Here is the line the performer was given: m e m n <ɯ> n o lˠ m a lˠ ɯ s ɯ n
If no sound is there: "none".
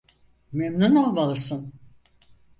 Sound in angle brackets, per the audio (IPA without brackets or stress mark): u